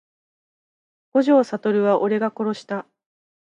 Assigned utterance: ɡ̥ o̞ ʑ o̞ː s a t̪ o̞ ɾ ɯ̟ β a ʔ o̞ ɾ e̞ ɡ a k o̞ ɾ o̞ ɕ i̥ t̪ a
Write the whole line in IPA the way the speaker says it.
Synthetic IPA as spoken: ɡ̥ o̞ ʑ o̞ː s a t̪ o̞ ɾ ɯ̟ β a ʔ o̞ ɾ e̞ ɡ a k o̞ ɾ o̞ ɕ i̥ t̪ a